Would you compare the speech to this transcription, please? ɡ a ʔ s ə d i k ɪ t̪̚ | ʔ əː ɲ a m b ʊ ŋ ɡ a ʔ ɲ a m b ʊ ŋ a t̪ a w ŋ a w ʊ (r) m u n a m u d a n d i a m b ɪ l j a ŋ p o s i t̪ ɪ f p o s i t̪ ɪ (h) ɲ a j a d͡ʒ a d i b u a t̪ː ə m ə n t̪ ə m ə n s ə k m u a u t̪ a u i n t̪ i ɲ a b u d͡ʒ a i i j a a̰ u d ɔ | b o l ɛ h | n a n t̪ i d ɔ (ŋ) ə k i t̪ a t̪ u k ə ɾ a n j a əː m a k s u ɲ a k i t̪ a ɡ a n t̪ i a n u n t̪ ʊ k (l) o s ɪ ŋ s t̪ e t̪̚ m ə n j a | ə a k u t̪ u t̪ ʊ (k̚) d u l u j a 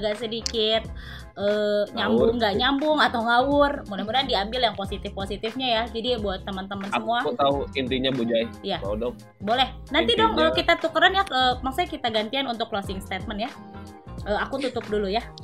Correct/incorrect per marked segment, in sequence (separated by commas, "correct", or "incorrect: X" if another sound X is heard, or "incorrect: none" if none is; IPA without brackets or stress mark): correct, incorrect: f, correct, correct, incorrect: p̚